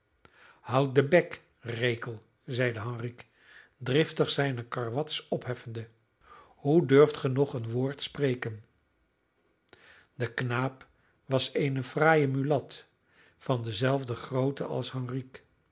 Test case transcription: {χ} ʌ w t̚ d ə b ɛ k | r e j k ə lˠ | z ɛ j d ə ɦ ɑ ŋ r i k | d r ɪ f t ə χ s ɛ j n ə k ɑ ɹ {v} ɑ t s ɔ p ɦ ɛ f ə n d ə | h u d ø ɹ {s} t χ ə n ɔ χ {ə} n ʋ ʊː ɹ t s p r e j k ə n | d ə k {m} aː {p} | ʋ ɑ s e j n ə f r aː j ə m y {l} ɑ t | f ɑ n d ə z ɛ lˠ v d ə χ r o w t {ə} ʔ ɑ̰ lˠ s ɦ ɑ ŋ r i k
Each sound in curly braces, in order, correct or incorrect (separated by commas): incorrect, incorrect, incorrect, correct, incorrect, correct, correct, correct